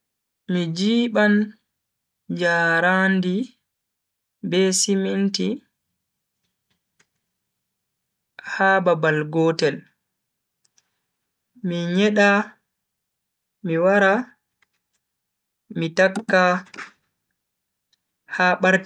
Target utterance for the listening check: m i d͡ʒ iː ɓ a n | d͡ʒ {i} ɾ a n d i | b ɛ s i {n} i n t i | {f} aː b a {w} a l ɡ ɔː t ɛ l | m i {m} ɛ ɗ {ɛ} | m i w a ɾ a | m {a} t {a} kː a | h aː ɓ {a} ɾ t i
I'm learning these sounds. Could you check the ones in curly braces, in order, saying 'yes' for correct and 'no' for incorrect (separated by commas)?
no, no, no, no, no, no, no, yes, yes